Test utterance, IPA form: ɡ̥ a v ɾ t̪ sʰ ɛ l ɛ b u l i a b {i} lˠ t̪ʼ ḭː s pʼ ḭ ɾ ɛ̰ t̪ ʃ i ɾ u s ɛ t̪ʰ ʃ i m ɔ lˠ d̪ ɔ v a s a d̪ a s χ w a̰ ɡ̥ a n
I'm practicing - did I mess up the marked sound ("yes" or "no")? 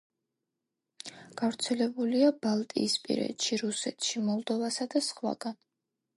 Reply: yes